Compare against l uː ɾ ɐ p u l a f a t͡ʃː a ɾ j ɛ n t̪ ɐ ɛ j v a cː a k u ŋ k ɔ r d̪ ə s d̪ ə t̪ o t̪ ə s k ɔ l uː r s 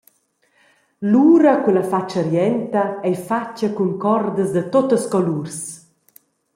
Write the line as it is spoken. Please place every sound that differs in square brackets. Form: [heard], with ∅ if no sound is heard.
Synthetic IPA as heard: l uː ɾ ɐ [k] u l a f a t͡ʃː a ɾ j ɛ n t̪ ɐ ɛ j [f] a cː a k u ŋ k ɔ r d̪ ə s d̪ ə t̪ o t̪ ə s k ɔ l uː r s